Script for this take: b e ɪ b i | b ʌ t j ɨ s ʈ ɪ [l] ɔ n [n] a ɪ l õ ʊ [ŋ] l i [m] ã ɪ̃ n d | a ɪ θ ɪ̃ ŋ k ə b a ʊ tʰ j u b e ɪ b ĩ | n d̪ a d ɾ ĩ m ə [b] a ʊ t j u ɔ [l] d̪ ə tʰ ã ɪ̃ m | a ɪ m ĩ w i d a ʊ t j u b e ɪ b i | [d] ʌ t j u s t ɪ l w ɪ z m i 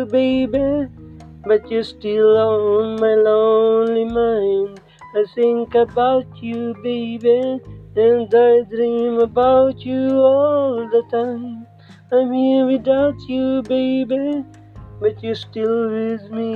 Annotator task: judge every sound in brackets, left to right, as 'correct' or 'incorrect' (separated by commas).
correct, incorrect, incorrect, correct, correct, correct, incorrect